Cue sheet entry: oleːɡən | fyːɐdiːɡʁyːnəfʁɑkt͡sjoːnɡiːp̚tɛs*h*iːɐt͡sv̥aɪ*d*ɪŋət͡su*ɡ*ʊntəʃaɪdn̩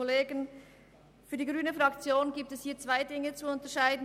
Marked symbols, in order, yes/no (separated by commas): yes, yes, no